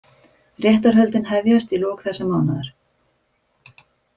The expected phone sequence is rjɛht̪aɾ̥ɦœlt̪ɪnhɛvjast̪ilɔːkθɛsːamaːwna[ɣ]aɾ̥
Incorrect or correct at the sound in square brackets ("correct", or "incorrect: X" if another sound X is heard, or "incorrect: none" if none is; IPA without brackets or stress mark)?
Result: incorrect: ð